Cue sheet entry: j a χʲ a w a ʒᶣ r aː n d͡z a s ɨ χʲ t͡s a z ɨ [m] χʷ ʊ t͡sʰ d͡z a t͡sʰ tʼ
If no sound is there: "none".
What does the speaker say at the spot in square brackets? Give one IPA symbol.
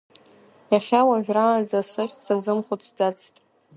m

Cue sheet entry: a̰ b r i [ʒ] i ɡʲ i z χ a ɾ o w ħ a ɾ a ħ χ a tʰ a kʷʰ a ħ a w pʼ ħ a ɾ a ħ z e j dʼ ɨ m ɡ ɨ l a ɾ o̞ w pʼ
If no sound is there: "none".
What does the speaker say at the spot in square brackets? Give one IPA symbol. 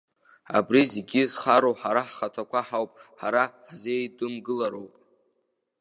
z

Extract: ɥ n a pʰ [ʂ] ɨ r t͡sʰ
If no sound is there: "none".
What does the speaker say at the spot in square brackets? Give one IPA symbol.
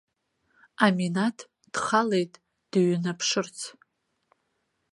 ʂ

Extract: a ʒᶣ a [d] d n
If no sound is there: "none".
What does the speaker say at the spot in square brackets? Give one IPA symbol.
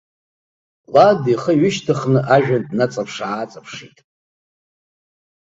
n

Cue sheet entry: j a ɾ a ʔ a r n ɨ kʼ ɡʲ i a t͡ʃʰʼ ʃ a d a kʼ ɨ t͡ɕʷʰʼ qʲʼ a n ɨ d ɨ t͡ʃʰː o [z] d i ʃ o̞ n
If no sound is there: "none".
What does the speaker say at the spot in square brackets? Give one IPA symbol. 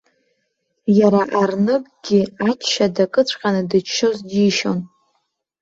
z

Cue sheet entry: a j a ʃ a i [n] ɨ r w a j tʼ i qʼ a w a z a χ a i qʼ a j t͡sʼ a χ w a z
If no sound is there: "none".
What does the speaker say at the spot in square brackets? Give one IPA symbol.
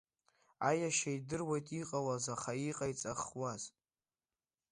d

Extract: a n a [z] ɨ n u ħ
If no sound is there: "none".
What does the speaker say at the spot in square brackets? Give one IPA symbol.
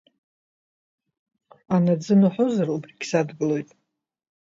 d͡z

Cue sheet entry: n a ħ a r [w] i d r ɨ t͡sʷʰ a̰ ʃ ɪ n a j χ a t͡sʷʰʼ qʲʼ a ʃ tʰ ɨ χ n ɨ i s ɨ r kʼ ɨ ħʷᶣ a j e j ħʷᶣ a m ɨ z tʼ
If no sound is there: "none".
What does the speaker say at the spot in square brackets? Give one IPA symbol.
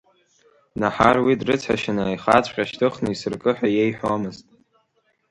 w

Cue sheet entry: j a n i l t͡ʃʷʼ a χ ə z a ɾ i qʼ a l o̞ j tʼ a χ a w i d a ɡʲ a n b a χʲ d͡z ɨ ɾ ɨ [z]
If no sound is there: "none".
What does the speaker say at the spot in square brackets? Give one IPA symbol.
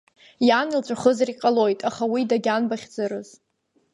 z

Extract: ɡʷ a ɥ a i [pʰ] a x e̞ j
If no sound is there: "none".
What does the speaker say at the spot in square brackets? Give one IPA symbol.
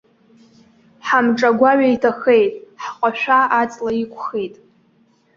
tʰ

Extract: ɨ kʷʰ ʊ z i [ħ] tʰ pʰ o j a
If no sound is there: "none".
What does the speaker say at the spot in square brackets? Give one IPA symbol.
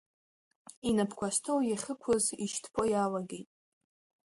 ʃ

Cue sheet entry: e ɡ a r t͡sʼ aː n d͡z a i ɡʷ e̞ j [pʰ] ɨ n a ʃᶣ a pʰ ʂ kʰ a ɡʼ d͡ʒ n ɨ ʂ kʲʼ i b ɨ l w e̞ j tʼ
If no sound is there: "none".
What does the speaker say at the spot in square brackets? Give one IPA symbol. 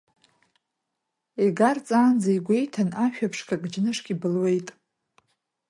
tʰ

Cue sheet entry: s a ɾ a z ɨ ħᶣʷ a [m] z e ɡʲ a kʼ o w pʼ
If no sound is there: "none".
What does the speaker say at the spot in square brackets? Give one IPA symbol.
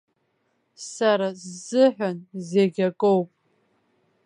n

